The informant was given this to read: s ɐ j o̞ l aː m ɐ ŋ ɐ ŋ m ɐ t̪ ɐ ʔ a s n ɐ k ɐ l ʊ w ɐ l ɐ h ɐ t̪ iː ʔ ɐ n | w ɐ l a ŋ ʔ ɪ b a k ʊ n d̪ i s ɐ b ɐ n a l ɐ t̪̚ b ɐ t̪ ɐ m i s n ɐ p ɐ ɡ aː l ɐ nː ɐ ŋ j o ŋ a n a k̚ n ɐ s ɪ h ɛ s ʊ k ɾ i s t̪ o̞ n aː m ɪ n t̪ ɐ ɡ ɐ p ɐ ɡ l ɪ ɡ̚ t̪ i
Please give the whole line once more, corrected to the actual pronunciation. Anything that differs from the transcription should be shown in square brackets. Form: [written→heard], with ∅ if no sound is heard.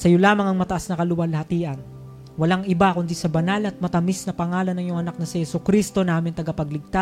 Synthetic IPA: s ɐ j o̞ l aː m ɐ ŋ ɐ ŋ m ɐ t̪ ɐ ʔ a s n ɐ k ɐ l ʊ w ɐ l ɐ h ɐ t̪ iː ʔ ɐ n | w ɐ l a ŋ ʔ ɪ b a k ʊ n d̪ i s ɐ b ɐ n a l ɐ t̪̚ [b→m] ɐ t̪ ɐ m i s n ɐ p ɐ [ɡ→ŋ] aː l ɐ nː ɐ ŋ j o ŋ [a→ɐ] n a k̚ n ɐ s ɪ h ɛ s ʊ k ɾ i s t̪ o̞ n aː m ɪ n t̪ ɐ ɡ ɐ p ɐ ɡ l ɪ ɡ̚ t̪ [i→a]